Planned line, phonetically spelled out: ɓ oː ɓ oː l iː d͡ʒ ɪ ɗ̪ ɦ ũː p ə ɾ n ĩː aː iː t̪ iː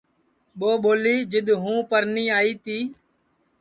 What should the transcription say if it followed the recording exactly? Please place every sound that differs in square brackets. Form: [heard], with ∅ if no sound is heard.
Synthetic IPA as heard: ɓ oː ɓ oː l iː d͡ʒ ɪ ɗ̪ ɦ ũː p ə ɾ n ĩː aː iː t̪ iː

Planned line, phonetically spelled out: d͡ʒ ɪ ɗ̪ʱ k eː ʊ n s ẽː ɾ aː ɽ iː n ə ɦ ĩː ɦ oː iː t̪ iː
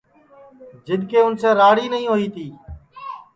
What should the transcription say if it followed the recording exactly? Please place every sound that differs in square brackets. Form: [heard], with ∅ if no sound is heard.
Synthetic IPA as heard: d͡ʒ ɪ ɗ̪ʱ k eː ʊ n s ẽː ɾ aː ɽ iː n ə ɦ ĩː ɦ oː iː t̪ iː

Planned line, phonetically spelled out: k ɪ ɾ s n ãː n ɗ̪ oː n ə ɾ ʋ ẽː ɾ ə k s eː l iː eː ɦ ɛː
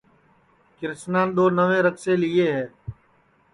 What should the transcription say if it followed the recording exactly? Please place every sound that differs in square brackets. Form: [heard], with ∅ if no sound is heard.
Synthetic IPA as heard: k ɪ ɾ s n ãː n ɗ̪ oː n ə [∅] ʋ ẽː ɾ ə k s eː l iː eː ɦ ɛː

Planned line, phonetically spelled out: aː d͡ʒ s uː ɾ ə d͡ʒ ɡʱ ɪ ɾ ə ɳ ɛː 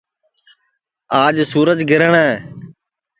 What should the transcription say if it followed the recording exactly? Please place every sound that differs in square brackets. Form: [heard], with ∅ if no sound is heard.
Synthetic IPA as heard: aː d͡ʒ s uː ɾ ə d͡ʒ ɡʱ ɪ ɾ ə ɳ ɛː

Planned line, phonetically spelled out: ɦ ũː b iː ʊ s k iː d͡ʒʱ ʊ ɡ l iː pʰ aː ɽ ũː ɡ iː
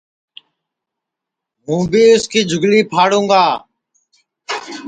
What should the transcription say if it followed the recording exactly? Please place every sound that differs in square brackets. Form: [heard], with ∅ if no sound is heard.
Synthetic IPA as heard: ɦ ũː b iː ʊ s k iː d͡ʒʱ ʊ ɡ l iː pʰ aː ɽ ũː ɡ [aː]

